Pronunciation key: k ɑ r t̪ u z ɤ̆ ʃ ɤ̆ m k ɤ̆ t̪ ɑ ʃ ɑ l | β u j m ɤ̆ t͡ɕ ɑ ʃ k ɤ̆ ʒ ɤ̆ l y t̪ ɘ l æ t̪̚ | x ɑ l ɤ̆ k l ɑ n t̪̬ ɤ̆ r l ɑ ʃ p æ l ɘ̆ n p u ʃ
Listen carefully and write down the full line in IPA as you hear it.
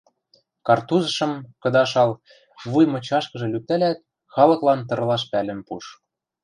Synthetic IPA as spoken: k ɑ r t̪ u z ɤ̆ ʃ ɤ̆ m k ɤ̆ d̪ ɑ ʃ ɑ l | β u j m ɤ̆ t͡ɕ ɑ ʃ k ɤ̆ ʒ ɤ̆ l y t̪ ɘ l æ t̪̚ | x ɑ l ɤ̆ k l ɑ n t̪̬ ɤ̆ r l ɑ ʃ p æ l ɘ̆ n p u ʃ